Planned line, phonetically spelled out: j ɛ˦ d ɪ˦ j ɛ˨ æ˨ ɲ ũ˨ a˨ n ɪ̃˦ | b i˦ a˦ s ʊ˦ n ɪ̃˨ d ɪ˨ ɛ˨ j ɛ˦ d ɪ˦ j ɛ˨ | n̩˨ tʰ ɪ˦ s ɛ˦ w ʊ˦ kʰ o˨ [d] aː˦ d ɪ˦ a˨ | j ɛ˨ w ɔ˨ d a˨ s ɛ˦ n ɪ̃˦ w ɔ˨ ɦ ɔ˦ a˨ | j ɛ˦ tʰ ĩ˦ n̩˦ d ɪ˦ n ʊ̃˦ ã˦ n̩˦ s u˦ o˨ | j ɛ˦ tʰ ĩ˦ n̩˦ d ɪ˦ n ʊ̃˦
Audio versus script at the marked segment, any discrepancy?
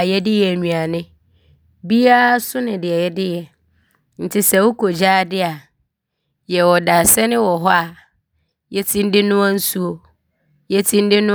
yes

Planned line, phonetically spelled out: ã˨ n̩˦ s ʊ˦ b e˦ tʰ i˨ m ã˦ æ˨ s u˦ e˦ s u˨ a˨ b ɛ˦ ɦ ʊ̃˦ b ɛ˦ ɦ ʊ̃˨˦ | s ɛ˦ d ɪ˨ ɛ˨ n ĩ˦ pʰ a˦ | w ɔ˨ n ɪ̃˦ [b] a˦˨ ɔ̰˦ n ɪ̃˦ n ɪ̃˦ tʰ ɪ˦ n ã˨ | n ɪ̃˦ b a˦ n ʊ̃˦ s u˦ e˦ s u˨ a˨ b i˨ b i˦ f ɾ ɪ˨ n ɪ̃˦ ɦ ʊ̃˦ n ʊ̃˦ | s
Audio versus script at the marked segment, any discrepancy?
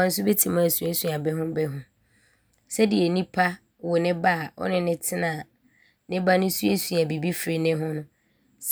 no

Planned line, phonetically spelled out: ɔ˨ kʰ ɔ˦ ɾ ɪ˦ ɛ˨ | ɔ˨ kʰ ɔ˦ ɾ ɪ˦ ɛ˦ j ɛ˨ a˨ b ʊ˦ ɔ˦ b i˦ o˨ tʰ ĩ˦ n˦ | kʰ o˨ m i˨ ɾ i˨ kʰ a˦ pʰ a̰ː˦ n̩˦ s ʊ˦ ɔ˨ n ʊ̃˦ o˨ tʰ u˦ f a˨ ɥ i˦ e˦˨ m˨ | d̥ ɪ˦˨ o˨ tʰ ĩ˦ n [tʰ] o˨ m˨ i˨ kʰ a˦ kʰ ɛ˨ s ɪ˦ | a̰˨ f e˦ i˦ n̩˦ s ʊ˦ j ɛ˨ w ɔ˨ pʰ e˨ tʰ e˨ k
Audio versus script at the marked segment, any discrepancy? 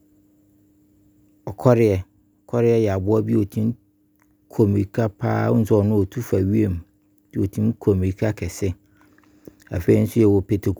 yes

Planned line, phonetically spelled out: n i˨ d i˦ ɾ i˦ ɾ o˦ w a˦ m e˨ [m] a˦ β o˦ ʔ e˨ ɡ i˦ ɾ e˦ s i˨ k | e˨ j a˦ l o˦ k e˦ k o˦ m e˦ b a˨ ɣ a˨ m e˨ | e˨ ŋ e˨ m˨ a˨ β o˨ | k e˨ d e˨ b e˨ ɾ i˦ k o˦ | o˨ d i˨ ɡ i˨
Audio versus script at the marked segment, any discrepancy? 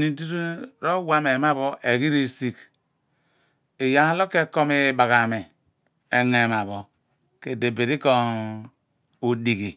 no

